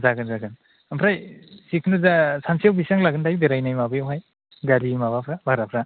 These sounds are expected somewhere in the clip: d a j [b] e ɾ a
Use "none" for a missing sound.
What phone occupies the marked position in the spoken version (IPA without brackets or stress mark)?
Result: b